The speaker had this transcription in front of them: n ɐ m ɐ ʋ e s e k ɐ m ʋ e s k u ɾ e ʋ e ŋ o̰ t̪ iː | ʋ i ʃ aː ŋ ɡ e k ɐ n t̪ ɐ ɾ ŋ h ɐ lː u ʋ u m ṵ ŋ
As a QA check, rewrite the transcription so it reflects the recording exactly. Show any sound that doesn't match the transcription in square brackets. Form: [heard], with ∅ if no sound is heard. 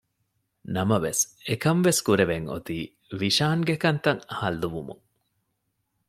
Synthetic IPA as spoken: n ɐ m ɐ ʋ e s e k ɐ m ʋ e s k u ɾ e ʋ e ŋ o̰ t̪ iː | ʋ i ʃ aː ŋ ɡ e k ɐ n t̪ ɐ [∅] ŋ h ɐ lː u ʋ u m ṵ ŋ